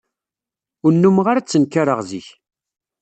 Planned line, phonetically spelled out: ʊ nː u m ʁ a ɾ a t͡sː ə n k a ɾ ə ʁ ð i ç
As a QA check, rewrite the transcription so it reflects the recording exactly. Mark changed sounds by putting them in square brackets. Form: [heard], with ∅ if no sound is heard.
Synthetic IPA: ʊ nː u m ʁ a ɾ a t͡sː ə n k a ɾ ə ʁ [z] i ç

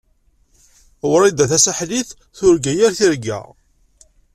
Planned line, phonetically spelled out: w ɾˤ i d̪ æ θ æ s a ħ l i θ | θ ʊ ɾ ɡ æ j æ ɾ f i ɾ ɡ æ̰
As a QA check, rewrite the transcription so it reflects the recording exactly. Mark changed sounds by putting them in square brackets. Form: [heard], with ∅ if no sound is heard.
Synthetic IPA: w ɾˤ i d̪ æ θ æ s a ħ l i θ | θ ʊ ɾ ɡ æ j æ ɾ [θ] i ɾ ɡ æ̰

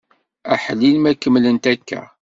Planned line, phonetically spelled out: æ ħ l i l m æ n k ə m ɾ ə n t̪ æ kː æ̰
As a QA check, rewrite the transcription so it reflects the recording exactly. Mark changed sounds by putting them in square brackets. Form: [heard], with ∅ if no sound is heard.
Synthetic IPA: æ ħ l i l m æ [∅] k ə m [l] ə n t̪ æ kː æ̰

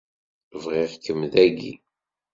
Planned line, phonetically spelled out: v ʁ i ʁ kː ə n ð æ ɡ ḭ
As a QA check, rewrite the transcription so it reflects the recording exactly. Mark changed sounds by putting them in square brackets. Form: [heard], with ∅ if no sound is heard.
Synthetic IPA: v ʁ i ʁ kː ə [m] ð æ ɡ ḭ

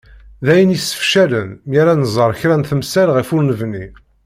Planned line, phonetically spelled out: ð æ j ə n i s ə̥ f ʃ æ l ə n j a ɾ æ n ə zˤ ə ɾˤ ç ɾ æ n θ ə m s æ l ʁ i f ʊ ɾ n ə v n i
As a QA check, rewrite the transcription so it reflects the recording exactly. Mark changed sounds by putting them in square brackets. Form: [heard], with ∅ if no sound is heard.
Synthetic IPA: ð æ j ə n i s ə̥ f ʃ æ l ə n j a ɾ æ n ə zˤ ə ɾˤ ç ɾ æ n θ ə m s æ l ʁ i f ʊ ɾ n ə v n i

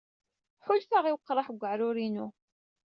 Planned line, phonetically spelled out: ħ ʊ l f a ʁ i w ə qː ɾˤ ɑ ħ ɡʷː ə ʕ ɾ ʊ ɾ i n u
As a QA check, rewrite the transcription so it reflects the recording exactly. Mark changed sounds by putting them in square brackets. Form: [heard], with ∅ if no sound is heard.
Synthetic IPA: ħ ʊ l f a ʁ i w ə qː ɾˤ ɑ ħ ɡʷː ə ʕ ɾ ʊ ɾ i n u

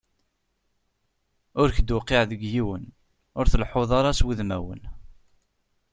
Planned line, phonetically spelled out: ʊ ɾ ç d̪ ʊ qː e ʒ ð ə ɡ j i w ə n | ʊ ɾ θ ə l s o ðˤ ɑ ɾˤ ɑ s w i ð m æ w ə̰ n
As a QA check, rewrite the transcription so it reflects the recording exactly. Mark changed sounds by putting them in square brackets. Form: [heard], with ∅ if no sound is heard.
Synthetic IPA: ʊ ɾ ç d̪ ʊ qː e [ʕ] ð ə ɡ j i w ə n | ʊ ɾ θ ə l [ħ] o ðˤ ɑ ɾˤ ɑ s w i ð m æ w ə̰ n

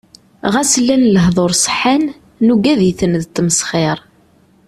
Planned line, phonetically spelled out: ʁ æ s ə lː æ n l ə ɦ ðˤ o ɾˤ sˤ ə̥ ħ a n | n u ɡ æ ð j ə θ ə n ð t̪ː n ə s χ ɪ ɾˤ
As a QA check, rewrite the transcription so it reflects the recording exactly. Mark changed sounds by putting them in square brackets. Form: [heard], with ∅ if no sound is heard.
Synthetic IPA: ʁ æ s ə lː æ n l ə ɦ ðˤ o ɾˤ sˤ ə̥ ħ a n | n u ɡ æ ð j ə θ ə n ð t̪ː [m] ə s χ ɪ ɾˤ

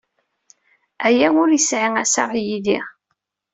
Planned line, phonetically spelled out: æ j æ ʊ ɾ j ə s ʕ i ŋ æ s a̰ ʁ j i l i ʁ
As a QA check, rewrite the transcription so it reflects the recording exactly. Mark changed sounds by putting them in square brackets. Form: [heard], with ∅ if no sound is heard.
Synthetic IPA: æ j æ ʊ ɾ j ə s ʕ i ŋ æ s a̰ ʁ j i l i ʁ

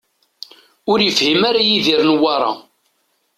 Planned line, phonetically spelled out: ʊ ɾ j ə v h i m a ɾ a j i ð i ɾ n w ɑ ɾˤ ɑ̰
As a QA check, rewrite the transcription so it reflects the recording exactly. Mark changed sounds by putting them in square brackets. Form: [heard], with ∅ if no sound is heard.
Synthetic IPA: ʊ ɾ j ə [f] h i m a ɾ a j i ð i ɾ n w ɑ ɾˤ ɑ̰

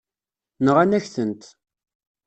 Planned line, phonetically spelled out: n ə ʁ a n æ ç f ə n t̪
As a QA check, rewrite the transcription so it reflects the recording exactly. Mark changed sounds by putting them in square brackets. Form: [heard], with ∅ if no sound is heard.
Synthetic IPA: n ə ʁ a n æ ç [θ] ə n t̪

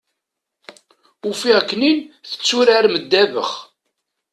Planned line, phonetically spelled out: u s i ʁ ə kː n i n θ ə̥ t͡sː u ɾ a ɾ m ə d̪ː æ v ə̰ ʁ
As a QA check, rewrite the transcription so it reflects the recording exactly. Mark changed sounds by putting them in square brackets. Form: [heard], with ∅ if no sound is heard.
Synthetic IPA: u [f] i ʁ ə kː n i n θ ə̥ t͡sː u ɾ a ɾ m ə d̪ː æ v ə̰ [χ]

